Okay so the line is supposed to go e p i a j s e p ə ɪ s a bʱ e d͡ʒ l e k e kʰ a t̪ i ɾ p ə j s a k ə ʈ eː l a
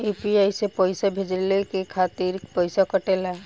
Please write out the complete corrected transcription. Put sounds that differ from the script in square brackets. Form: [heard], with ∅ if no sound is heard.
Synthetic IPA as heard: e p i a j s e p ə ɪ s a bʱ e d͡ʒ l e k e kʰ a t̪ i ɾ p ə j s a k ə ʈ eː l a